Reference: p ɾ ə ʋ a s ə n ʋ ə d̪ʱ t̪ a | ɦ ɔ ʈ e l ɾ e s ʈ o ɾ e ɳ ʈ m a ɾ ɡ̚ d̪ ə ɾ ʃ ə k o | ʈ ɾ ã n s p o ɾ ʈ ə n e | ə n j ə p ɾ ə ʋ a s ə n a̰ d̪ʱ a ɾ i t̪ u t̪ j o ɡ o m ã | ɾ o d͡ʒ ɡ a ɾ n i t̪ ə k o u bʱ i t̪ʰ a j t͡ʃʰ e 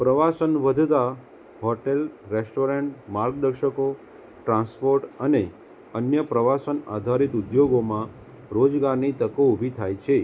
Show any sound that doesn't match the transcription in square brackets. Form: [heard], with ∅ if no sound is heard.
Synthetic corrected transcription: p ɾ ə ʋ a s ə n ʋ ə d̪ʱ t̪ a | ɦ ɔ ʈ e l ɾ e s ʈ o ɾ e ɳ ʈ m a ɾ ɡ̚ d̪ ə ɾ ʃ ə k o | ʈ ɾ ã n s p o ɾ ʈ ə n e | ə n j ə p ɾ ə ʋ a s ə n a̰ d̪ʱ a ɾ i t̪ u [d̪] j o ɡ o m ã | ɾ o d͡ʒ ɡ a ɾ n i t̪ ə k o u bʱ i t̪ʰ a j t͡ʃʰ e